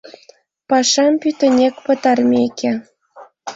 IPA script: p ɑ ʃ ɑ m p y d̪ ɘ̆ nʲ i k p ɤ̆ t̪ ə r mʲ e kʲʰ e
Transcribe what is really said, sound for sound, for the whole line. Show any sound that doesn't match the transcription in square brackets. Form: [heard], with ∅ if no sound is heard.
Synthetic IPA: p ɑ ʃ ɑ m p y [t̪] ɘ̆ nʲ [e] k p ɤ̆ t̪ [ɑ] r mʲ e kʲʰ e